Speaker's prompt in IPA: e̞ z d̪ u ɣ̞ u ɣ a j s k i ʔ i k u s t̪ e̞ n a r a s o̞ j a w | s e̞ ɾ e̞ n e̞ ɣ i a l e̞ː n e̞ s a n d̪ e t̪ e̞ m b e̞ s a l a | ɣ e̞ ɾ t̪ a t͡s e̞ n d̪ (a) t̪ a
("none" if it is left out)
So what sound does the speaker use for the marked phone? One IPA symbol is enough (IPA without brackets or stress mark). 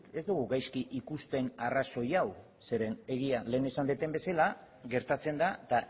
a